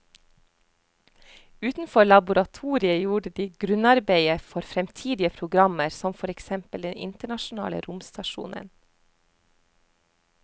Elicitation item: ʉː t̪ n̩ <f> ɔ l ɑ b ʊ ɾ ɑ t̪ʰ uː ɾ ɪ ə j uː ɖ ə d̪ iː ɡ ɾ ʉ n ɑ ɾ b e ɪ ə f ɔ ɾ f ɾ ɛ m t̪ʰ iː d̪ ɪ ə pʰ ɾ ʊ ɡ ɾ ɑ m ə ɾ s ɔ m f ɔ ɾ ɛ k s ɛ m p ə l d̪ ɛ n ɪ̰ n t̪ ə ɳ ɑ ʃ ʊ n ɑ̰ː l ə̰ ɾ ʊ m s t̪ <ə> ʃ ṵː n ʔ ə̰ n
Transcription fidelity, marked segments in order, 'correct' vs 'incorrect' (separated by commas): correct, incorrect